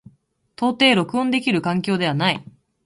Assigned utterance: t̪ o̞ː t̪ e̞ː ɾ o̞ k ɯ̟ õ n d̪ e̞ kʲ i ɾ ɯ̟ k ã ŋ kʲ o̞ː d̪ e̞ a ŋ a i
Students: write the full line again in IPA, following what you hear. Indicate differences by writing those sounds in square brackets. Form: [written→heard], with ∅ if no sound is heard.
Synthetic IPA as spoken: t̪ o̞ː t̪ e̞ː ɾ o̞ k ɯ̟ õ n d̪ e̞ kʲ i ɾ ɯ̟ k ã ŋ kʲ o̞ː d̪ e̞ a [ŋ→n] a i